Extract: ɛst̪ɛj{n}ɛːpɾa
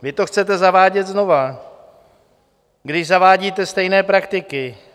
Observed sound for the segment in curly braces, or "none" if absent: n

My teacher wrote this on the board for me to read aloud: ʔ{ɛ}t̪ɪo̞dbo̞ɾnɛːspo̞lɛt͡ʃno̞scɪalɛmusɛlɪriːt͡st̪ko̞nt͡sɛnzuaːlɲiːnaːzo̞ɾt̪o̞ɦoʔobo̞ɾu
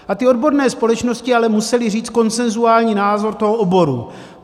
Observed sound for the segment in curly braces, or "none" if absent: a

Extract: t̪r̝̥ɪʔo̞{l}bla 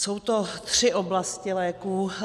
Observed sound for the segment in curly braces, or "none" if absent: none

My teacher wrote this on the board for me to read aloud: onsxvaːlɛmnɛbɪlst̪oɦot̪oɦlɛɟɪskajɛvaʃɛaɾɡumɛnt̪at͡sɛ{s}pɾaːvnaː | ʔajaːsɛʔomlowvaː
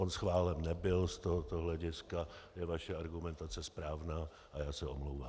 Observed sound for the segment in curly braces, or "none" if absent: s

